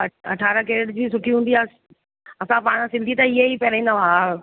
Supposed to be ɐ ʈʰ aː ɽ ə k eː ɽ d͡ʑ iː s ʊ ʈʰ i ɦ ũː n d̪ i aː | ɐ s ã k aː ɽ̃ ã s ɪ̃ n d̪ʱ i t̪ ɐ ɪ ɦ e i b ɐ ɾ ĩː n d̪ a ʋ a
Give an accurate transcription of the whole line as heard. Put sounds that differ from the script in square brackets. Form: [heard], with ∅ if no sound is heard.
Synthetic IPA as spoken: ɐ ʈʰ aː [ɾ] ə k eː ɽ d͡ʑ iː s ʊ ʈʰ i ɦ ũː n d̪ i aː | ɐ s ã [p] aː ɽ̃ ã s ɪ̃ n d̪ʱ i t̪ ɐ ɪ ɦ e i [p] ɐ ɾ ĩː n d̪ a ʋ a